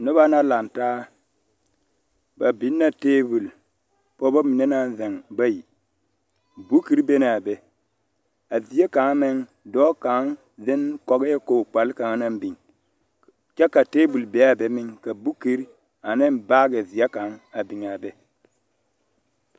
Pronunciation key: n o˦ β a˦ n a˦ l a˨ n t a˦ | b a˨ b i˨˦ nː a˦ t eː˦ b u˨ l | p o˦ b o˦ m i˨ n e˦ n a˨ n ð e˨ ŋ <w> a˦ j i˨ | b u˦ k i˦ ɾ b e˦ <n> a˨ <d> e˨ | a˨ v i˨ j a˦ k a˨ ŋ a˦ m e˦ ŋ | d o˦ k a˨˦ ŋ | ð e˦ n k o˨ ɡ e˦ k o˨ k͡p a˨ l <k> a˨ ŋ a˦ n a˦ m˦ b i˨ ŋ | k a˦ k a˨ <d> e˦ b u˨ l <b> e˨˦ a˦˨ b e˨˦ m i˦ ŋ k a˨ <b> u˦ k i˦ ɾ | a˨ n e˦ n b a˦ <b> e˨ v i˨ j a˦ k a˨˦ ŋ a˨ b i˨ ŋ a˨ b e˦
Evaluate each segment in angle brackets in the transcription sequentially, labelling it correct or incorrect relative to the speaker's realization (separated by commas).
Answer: incorrect, correct, incorrect, correct, incorrect, correct, correct, incorrect